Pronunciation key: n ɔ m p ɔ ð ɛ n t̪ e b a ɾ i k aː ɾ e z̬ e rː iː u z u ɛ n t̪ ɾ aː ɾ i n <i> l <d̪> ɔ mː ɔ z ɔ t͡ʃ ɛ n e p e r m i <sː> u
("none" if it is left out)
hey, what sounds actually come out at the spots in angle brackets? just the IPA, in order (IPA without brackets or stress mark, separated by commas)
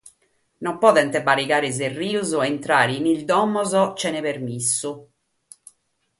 i, d̪, sː